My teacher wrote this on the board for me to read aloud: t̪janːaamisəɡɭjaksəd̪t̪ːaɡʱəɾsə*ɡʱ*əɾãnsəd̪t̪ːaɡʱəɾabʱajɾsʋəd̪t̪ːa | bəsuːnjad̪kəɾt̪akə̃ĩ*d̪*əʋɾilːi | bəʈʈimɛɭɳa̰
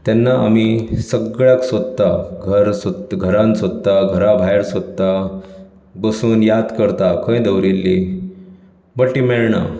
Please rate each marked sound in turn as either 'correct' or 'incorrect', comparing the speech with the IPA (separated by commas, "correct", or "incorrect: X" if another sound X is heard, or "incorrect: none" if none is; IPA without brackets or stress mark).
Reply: correct, correct